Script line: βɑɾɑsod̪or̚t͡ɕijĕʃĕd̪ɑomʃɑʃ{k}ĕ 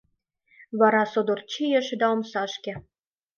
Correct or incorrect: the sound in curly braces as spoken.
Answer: correct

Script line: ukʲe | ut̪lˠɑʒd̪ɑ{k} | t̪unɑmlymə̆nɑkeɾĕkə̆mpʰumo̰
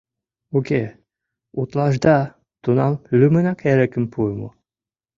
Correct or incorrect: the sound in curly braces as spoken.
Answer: incorrect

